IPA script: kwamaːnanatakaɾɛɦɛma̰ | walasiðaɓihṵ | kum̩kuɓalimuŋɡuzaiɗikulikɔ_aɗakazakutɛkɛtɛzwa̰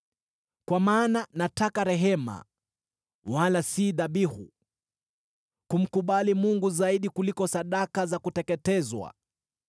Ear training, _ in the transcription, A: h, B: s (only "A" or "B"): B